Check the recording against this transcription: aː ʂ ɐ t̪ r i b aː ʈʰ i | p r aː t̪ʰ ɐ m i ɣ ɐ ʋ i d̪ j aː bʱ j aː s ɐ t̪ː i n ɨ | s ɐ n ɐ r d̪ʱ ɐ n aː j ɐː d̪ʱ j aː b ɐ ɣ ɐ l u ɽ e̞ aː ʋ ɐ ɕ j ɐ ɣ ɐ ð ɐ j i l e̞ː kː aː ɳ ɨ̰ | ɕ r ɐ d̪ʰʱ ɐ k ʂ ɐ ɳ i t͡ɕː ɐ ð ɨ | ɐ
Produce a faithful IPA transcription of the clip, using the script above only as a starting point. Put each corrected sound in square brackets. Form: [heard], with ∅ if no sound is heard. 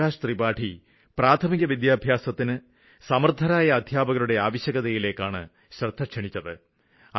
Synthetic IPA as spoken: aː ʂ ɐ t̪ r i b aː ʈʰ i | p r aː t̪ʰ ɐ m i ɣ ɐ ʋ i d̪ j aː bʱ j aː s ɐ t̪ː i n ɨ | s ɐ [m] ɐ r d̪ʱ ɐ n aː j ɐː d̪ʱ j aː b ɐ ɣ ɐ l u ɽ e̞ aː ʋ ɐ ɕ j ɐ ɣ ɐ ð ɐ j i l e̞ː kː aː ɳ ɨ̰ | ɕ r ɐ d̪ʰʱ ɐ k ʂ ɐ ɳ i t͡ɕː ɐ ð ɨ | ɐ